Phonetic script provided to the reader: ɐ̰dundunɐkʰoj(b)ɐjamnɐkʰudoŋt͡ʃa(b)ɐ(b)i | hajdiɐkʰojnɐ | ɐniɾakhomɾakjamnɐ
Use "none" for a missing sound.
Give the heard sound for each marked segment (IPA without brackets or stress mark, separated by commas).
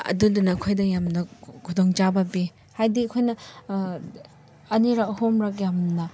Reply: d, b, b